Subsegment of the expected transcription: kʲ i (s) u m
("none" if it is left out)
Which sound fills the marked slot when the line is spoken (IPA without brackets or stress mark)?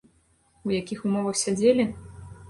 x